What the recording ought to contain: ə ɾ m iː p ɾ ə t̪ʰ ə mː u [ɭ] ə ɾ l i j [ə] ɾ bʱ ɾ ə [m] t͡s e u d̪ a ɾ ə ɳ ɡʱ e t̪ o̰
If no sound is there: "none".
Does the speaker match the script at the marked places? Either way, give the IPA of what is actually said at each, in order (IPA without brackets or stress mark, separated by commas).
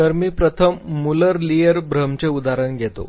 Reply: l, ə, m